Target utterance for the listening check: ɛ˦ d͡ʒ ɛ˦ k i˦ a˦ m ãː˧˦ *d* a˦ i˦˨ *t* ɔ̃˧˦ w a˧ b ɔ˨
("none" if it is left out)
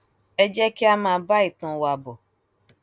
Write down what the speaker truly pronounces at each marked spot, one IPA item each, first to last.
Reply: b, t

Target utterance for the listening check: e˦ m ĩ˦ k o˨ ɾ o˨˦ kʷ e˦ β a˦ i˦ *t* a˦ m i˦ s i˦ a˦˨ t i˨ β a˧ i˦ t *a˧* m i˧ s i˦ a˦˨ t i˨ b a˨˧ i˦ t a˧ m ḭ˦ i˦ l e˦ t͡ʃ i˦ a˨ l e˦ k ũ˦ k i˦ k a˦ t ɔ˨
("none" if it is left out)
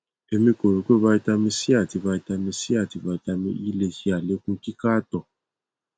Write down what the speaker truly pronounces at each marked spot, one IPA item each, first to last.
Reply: t, a˧

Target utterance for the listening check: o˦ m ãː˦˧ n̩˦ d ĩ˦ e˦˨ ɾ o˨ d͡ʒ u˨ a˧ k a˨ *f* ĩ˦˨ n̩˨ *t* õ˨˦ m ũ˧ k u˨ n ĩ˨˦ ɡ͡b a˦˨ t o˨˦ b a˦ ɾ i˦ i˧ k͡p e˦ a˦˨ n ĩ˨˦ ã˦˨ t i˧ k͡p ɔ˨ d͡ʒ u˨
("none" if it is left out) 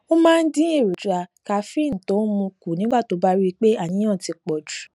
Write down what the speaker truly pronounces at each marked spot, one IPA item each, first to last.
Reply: f, t

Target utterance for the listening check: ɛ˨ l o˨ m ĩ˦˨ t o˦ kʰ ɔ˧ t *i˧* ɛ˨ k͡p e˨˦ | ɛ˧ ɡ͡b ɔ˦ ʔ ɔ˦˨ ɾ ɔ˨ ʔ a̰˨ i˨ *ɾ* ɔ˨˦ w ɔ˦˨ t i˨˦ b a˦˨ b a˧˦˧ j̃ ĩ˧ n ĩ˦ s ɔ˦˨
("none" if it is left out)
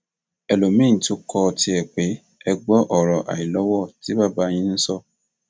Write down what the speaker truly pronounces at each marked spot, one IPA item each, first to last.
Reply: i˧, l

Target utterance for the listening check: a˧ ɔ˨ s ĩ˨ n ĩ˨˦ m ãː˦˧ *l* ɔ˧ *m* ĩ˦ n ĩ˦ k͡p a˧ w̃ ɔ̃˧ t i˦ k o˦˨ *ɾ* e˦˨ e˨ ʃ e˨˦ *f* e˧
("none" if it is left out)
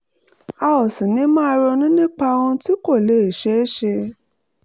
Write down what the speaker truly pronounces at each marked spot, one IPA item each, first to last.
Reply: ɾ, n, l, ʃ

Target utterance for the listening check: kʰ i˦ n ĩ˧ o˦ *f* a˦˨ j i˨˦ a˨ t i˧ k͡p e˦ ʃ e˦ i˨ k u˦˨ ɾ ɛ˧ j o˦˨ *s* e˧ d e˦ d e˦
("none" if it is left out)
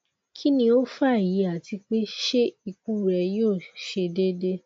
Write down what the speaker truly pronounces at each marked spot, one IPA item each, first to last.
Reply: f, ʃ

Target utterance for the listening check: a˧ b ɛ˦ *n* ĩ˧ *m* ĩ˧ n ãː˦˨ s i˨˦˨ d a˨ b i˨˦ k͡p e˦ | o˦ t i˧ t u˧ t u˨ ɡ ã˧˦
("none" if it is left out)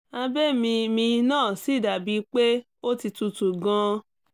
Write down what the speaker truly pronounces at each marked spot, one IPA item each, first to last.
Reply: m, m

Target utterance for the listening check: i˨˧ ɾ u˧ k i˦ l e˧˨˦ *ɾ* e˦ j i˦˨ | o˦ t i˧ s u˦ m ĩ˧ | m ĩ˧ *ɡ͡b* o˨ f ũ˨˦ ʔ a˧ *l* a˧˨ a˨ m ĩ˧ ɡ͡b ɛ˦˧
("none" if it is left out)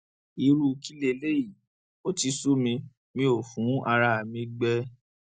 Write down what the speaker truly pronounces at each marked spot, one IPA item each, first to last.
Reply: l, none, ɾ

